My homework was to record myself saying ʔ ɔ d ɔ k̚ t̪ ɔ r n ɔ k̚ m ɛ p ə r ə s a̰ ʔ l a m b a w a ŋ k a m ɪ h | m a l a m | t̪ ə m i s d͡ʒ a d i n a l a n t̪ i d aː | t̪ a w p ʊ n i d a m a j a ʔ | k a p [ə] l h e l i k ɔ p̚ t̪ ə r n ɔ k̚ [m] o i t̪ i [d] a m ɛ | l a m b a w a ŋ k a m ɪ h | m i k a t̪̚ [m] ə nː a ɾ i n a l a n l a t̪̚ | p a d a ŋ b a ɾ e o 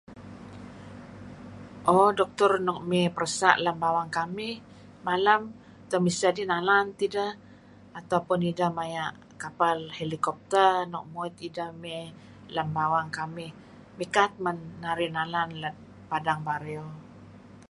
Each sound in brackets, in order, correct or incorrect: incorrect: a, correct, correct, correct

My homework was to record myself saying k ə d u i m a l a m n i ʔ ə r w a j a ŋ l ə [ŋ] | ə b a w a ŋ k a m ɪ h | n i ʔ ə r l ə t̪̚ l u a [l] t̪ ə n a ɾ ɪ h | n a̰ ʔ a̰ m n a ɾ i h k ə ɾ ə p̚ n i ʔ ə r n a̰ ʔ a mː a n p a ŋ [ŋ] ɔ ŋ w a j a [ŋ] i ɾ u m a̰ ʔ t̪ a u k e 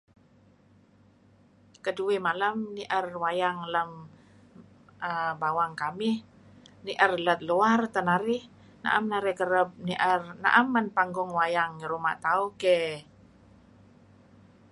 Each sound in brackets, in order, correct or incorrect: incorrect: m, incorrect: r, incorrect: ɡ, correct

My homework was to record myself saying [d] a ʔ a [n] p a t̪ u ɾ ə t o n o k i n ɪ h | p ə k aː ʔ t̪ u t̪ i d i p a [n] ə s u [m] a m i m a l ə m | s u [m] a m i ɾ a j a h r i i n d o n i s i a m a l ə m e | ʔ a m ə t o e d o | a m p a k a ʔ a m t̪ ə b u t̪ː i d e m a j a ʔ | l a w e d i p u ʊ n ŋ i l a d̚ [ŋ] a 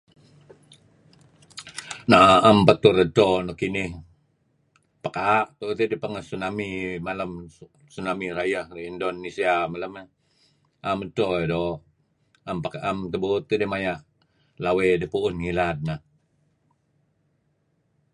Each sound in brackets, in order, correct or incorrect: incorrect: n, incorrect: m, incorrect: ŋ, incorrect: n, incorrect: n, incorrect: n

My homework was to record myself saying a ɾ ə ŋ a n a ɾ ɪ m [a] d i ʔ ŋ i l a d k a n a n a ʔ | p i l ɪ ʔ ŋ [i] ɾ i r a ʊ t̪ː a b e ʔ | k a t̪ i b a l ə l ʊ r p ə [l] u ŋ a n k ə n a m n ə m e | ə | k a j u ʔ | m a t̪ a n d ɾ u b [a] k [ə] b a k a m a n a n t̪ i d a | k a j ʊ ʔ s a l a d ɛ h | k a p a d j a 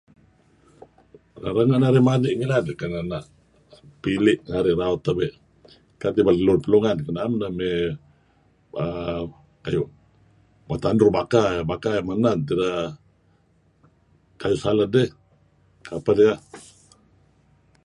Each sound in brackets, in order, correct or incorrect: correct, incorrect: a, correct, correct, incorrect: a

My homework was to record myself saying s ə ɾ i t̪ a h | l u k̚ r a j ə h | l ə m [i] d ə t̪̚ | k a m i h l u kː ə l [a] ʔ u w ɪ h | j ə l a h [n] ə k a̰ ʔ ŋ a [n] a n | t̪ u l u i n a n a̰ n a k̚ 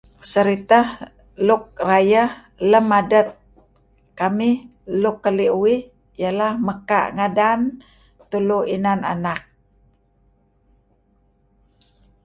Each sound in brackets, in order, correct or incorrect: incorrect: a, incorrect: i, incorrect: m, incorrect: d

